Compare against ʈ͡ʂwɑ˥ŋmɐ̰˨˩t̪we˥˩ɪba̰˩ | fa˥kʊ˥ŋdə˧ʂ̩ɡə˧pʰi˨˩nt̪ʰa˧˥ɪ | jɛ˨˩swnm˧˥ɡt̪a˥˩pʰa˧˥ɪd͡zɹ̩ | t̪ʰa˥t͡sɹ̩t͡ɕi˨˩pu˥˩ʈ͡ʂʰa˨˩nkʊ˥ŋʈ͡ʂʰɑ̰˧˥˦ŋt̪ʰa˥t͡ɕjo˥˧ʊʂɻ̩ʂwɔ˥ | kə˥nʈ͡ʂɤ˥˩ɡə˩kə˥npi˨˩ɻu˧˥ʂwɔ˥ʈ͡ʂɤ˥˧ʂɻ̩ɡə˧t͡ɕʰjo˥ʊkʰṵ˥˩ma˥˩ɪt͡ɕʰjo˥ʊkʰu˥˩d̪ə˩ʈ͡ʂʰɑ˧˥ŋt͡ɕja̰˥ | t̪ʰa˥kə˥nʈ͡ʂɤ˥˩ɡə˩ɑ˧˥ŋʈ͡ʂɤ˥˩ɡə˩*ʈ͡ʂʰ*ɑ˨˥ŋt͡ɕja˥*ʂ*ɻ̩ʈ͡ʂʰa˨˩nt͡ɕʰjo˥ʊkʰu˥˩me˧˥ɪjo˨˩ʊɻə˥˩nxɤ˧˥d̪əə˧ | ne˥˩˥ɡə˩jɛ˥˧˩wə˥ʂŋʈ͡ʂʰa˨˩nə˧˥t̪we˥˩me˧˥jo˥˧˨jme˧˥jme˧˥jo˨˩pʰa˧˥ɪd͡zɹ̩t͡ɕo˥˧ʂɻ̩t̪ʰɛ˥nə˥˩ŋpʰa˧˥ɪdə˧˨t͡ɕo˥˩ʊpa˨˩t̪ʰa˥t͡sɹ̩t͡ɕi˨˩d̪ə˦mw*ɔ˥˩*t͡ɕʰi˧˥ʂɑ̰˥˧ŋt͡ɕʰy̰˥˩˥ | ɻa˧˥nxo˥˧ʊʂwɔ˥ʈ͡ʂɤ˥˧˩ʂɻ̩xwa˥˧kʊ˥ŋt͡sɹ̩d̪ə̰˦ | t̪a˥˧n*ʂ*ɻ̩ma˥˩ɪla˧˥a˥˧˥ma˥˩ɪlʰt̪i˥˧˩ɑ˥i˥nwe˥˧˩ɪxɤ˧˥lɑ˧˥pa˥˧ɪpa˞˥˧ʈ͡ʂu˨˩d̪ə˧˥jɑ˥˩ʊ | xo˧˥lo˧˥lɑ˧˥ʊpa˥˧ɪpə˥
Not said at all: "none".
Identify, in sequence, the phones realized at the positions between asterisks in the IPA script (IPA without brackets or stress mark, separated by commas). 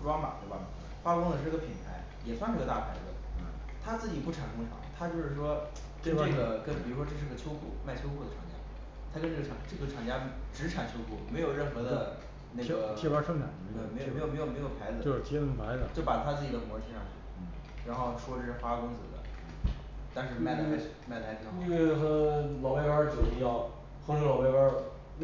ʈ͡ʂʰ, ʈ͡ʂ, ɔ˧˥, ʂ